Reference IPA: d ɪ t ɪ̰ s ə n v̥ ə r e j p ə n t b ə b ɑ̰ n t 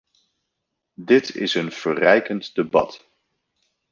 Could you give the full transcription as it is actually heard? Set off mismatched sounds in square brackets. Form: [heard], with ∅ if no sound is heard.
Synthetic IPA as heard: d ɪ t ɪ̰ s ə n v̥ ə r [ɛ] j [k] ə n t [d] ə b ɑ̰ [∅] t